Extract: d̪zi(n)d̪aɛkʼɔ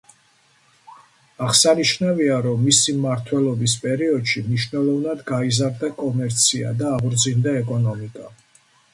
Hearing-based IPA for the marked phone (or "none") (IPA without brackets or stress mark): n